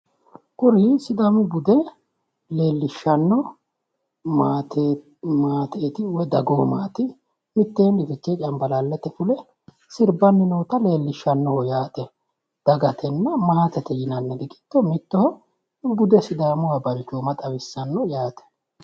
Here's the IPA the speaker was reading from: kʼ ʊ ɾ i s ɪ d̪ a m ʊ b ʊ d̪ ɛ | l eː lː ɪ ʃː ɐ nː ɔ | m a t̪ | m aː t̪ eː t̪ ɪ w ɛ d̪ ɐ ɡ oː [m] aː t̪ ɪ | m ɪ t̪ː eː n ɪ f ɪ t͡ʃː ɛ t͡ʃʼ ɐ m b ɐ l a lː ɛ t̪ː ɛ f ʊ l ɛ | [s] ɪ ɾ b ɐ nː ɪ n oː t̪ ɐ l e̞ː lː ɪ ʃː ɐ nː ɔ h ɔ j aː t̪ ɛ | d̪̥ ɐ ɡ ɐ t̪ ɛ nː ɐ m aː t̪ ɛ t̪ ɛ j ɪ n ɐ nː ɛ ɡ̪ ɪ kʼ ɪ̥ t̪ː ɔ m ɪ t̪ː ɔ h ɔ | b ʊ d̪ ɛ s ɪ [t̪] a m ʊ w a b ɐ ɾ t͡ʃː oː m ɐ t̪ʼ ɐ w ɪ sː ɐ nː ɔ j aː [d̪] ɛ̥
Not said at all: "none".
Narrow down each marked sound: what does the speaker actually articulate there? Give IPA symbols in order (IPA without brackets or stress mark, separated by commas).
m, s, d̪, t̪